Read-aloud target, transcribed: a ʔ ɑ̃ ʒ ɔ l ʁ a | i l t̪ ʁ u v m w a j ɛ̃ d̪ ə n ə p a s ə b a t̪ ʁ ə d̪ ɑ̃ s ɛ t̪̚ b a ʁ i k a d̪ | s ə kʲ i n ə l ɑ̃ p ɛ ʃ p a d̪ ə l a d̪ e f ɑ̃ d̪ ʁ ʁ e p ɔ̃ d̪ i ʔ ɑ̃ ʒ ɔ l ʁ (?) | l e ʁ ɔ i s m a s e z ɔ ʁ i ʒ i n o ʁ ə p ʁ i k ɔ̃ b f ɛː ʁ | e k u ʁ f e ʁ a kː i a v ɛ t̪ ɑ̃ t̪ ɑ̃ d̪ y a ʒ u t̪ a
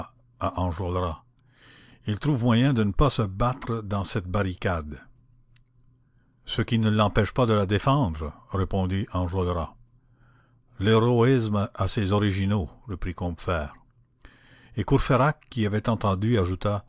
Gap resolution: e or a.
a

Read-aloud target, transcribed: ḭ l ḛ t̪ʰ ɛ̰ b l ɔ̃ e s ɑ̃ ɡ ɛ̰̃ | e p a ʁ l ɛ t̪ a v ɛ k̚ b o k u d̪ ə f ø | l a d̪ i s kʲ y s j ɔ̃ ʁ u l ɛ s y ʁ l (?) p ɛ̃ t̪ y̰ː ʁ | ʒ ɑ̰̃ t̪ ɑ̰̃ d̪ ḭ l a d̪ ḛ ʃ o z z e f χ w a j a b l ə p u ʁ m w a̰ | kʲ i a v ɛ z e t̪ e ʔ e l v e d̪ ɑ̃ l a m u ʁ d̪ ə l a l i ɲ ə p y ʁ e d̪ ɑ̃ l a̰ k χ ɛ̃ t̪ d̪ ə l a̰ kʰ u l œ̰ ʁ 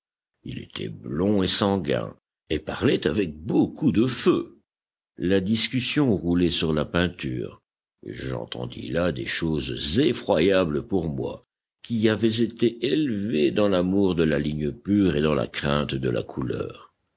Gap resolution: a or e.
a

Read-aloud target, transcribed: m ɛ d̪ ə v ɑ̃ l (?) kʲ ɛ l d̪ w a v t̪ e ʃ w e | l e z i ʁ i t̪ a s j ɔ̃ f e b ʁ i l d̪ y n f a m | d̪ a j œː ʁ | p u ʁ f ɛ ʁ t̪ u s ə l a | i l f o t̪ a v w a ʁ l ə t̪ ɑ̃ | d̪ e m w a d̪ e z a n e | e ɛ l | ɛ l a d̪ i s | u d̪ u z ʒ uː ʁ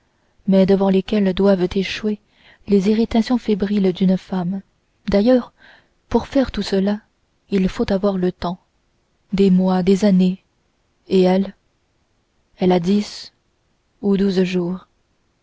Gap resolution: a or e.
e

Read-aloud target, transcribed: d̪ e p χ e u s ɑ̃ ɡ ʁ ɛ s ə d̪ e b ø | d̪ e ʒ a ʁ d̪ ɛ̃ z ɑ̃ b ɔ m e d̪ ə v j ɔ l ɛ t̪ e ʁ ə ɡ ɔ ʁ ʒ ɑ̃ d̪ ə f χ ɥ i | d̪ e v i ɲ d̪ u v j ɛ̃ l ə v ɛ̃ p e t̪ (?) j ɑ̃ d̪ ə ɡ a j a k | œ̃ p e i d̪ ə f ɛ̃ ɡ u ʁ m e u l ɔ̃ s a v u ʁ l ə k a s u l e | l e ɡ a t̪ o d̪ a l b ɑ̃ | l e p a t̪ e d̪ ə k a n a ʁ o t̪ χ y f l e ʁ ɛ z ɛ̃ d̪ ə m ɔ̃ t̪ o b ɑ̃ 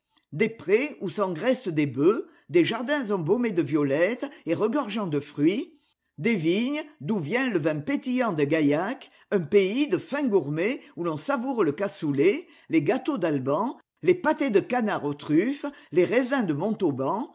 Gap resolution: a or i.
i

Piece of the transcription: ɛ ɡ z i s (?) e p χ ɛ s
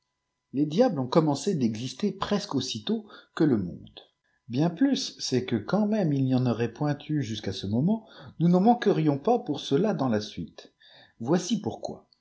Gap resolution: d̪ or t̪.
t̪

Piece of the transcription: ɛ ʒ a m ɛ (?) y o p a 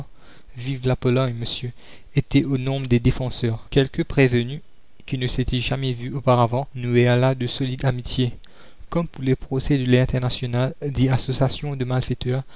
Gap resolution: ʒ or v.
v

